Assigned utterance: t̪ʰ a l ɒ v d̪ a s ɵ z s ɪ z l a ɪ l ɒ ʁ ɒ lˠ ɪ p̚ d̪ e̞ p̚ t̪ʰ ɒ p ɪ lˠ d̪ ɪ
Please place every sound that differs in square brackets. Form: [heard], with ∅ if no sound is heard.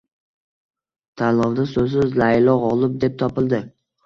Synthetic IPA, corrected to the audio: t̪ʰ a l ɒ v d̪ a s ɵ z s ɪ z l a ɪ l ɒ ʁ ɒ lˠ ɪ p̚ d̪ e̞ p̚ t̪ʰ ɒ p ɪ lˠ d̪ ɪ